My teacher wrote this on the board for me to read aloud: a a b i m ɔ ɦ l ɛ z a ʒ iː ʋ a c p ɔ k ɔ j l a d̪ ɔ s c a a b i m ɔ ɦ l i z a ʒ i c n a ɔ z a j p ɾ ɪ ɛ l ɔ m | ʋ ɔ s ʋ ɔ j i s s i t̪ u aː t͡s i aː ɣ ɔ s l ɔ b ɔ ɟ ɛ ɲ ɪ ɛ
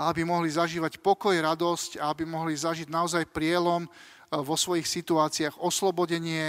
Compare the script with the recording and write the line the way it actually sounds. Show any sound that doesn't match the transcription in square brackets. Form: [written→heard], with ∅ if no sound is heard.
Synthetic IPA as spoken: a a b i m ɔ ɦ l [ɛ→i] z a ʒ iː ʋ a c p ɔ k ɔ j [l→ɾ] a d̪ ɔ s c a a b i m ɔ ɦ l i z a ʒ i [c→ɟ] n a ɔ z a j p ɾ ɪ ɛ l ɔ m | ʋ ɔ s ʋ ɔ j i [s→x] s i t̪ u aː t͡s i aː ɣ ɔ s l ɔ b ɔ ɟ ɛ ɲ ɪ ɛ